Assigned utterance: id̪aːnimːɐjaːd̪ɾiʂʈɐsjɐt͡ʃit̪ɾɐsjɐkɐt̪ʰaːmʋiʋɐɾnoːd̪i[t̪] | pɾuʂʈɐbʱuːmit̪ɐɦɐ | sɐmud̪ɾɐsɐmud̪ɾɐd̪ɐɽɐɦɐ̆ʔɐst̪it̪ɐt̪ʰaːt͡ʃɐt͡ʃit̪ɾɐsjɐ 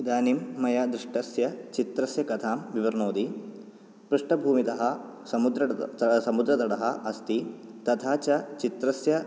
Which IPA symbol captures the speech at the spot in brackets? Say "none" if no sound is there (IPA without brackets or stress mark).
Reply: none